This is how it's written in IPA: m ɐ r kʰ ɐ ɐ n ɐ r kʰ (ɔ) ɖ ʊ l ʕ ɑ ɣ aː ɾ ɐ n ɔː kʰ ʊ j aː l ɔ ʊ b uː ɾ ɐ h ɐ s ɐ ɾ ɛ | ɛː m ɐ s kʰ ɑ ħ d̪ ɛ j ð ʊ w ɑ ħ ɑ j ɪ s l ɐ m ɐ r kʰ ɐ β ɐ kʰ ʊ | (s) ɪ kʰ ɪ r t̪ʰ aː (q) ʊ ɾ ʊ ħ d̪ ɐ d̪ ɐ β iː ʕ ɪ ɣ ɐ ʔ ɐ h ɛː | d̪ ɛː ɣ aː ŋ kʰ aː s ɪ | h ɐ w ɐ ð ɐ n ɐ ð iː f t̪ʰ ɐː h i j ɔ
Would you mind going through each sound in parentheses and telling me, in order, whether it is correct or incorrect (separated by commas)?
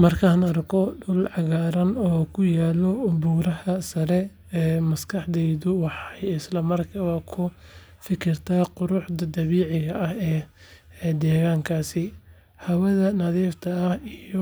correct, incorrect, correct